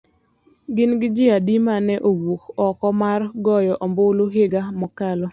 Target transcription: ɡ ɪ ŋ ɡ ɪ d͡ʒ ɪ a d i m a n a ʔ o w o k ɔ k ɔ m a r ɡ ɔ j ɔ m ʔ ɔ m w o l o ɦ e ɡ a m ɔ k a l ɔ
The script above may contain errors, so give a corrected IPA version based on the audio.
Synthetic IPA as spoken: ɡ ɪ n ɡ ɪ d͡ʒ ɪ a d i m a n ɛ ʔ o w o k ɔ k ɔ m a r ɡ ɔ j ɔ ʔ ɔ m b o l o ɦ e ɡ a m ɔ k a l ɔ